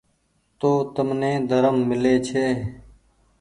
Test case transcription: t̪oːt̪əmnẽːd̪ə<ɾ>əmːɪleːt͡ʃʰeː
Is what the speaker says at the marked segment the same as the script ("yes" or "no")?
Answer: yes